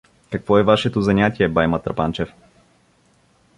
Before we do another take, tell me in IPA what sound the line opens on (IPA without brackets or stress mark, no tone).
k